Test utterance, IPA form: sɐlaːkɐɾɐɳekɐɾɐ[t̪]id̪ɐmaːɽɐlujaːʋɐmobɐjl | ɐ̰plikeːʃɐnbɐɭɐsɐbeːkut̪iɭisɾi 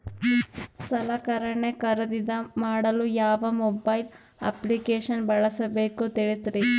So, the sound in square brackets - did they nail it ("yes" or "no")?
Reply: no